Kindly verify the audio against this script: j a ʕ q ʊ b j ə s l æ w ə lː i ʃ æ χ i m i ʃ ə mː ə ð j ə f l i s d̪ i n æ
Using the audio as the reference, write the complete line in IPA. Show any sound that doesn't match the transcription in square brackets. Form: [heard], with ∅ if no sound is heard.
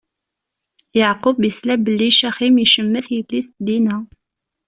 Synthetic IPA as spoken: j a ʕ q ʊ b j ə s l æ [b] ə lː i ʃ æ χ i m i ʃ ə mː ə [θ] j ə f l i s d̪ i n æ